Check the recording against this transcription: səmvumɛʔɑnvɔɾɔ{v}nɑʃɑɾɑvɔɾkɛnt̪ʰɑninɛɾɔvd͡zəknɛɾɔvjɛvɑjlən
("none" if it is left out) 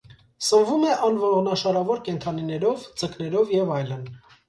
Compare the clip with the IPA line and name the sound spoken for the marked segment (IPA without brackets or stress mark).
ʁ